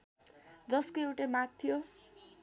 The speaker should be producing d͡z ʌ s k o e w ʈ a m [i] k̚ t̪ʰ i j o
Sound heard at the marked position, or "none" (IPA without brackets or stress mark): a